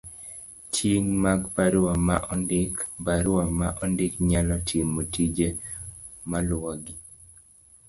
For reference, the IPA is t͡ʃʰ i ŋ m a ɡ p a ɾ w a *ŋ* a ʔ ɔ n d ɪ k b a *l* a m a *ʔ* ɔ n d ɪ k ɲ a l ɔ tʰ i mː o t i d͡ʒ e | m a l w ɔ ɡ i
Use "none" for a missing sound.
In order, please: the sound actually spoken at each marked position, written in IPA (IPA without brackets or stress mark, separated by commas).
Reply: m, ɾ, ʔ